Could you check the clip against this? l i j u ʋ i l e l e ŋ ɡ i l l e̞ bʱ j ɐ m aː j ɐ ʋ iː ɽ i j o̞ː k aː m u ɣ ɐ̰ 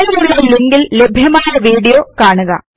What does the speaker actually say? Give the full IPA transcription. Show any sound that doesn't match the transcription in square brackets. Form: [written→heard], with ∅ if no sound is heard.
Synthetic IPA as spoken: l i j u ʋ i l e l e ŋ ɡ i l l e̞ bʱ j ɐ m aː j ɐ ʋ iː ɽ i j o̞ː k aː [m→ɳ] u ɣ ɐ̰